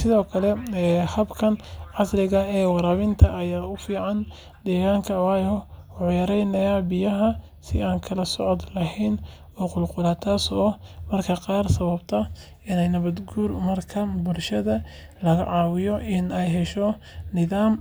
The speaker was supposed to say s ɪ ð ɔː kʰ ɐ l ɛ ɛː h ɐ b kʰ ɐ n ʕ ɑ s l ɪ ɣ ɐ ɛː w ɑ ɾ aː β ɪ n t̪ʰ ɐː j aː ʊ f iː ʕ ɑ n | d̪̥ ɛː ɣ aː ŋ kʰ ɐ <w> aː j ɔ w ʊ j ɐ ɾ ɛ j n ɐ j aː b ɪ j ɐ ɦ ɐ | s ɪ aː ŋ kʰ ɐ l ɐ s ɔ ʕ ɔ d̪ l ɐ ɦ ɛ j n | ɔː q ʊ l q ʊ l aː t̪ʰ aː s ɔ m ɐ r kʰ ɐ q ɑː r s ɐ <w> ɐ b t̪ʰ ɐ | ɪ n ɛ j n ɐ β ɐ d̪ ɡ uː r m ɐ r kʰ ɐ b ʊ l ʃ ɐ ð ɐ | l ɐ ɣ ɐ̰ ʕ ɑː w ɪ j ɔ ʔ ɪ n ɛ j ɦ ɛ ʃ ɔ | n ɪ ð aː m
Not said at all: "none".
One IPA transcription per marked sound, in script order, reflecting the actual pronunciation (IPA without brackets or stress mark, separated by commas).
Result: w, β